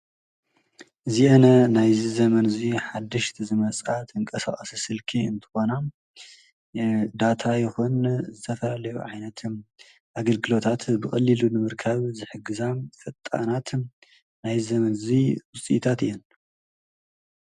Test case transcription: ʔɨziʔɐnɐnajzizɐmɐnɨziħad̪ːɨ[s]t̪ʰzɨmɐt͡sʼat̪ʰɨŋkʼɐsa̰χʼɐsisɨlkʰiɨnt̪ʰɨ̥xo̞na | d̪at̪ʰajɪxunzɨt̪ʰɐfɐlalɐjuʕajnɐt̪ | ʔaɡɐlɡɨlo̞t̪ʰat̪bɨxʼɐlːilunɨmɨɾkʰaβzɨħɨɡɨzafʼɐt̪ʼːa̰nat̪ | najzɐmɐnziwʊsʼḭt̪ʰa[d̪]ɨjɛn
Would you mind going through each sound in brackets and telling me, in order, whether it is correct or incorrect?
incorrect: ʃ, incorrect: t̪

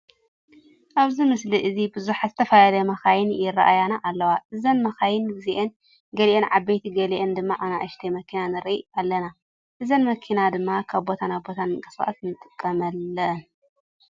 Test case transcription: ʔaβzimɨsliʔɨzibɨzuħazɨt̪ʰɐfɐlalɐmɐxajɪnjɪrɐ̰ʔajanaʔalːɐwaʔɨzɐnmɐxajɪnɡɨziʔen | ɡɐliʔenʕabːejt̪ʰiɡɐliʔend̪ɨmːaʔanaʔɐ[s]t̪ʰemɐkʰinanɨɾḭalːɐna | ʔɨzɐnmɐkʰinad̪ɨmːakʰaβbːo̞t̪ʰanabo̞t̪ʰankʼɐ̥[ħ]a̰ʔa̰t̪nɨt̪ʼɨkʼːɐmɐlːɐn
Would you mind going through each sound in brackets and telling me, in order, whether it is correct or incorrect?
incorrect: ʃ, incorrect: s

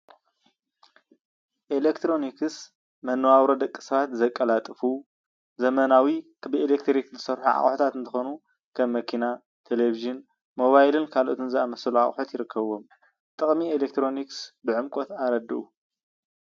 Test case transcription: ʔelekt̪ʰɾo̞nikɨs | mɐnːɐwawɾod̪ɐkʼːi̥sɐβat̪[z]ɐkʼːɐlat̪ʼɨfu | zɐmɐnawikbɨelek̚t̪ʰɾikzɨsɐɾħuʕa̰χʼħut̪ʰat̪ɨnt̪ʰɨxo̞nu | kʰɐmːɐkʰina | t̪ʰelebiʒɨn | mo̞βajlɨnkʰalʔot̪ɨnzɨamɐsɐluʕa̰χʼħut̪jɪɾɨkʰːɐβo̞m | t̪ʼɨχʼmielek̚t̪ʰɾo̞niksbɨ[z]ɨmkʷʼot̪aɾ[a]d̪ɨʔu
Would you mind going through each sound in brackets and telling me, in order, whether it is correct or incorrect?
correct, incorrect: ʕ, incorrect: ɐ

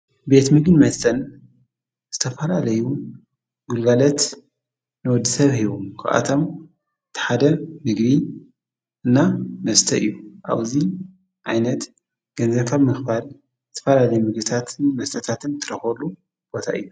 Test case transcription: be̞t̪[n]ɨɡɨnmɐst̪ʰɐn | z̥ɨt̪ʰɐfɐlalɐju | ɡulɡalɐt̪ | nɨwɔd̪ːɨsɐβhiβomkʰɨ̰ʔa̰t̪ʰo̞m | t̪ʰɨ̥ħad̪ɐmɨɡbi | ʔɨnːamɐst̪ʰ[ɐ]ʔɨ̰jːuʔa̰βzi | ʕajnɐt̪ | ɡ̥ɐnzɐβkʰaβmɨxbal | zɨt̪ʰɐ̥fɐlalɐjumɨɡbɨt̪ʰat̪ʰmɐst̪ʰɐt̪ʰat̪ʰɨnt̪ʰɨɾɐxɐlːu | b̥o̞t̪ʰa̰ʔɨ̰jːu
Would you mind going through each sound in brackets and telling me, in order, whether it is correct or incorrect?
incorrect: m, correct

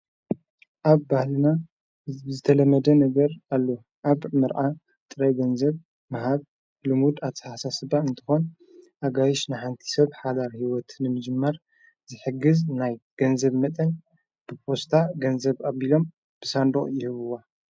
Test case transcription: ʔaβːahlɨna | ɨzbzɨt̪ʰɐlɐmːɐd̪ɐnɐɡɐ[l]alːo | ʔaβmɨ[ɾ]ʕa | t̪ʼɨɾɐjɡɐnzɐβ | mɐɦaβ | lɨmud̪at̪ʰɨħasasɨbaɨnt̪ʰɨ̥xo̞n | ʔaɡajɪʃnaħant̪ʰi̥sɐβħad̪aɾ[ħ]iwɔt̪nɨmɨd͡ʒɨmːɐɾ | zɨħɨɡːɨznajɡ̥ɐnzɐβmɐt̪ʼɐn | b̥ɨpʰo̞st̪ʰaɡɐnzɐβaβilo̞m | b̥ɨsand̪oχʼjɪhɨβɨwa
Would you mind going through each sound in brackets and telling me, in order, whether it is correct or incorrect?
incorrect: ɾ, correct, incorrect: h

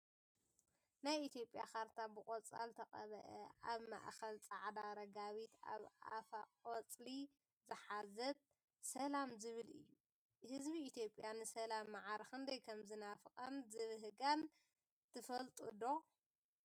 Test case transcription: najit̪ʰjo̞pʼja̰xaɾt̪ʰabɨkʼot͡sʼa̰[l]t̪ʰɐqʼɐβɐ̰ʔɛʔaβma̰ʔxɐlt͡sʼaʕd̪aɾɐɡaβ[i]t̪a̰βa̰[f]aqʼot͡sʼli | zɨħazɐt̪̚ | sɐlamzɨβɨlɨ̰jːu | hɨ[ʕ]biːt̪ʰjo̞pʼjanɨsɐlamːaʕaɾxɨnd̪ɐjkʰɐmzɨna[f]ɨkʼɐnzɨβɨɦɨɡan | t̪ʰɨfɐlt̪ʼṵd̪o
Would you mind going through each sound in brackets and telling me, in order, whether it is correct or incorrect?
correct, correct, correct, incorrect: z, correct

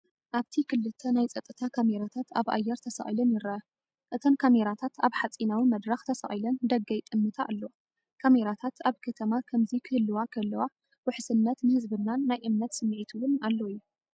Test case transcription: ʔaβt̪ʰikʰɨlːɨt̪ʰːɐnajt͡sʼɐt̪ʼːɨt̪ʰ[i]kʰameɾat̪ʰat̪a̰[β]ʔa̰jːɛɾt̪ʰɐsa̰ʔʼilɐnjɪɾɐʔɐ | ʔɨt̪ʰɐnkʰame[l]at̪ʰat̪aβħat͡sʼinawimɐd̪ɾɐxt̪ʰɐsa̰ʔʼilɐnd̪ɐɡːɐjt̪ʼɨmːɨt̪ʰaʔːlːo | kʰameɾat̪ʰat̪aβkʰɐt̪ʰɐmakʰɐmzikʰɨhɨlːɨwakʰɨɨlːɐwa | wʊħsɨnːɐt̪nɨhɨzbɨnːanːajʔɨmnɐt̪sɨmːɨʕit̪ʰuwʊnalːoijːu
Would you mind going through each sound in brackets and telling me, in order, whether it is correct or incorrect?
incorrect: a, correct, incorrect: ɾ

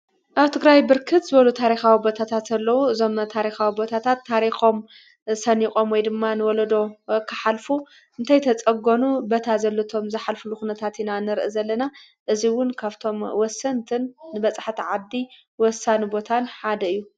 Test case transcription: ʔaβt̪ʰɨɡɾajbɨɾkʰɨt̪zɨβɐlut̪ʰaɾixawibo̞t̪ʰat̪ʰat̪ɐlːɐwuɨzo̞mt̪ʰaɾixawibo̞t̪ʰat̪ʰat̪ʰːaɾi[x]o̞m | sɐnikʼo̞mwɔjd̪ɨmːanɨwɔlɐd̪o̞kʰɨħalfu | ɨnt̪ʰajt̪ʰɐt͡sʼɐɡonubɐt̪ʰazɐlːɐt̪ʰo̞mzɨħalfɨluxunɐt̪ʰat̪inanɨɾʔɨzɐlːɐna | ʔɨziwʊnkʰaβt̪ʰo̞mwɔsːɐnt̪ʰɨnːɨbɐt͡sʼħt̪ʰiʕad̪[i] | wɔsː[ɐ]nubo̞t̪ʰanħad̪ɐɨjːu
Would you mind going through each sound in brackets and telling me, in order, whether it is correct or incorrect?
correct, correct, incorrect: a

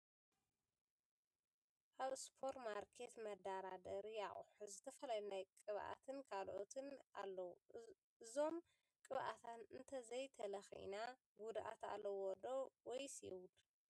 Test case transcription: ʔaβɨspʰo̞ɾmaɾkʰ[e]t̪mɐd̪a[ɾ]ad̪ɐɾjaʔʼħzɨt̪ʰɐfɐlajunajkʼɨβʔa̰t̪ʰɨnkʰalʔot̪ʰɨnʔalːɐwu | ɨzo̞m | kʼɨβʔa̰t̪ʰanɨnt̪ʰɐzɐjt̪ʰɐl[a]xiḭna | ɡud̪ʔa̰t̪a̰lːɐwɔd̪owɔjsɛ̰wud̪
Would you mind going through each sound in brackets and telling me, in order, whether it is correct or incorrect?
correct, correct, incorrect: ɐ

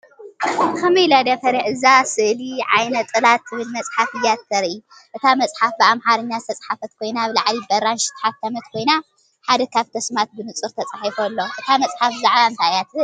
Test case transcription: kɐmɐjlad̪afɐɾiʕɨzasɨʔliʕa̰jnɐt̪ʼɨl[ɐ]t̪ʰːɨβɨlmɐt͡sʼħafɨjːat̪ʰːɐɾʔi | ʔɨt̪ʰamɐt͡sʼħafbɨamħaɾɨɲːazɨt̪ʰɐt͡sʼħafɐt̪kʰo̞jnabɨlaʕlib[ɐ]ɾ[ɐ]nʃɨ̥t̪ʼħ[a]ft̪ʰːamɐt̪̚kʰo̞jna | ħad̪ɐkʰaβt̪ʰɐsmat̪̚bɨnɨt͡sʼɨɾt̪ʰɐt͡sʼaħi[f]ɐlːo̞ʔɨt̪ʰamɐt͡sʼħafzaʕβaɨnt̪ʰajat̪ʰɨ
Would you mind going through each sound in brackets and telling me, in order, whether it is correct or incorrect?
incorrect: a, correct, incorrect: a, correct, correct

